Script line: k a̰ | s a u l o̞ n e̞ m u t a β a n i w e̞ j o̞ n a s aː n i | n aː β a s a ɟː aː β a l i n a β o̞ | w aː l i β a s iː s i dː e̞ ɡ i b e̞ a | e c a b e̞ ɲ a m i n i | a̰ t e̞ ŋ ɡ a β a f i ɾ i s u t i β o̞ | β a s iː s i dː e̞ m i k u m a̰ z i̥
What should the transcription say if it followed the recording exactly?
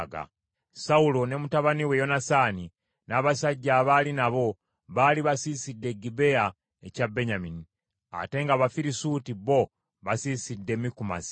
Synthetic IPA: ɡ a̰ | s a u l o̞ n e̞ m u t a β a n i w e̞ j o̞ n a s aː n i | n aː β a s a ɟː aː β a l i n a β o̞ | β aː l i β a s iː s i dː e̞ ɡ i b e̞ a | e c a b e̞ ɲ a m i n i | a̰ t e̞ ŋ ɡ a β a f i ɾ i s u t i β o̞ | β a s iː s i dː e̞ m i k u m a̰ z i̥